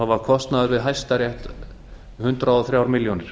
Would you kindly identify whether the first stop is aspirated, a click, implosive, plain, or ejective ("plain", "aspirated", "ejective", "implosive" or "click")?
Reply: aspirated